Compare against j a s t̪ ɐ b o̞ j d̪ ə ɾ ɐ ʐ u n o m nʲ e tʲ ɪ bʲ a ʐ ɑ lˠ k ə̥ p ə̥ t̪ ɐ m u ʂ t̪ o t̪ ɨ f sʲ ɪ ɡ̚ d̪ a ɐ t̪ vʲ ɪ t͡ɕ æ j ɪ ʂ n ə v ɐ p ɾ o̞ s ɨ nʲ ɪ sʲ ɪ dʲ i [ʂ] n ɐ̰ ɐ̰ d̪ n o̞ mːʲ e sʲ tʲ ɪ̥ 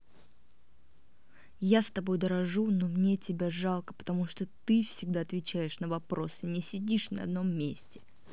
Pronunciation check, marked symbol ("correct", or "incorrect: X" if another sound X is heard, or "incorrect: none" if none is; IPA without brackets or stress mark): correct